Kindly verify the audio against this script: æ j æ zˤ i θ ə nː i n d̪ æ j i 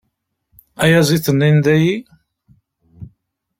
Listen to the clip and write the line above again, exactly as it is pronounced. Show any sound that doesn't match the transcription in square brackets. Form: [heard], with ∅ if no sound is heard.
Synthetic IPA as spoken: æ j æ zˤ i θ ə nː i n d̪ æ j i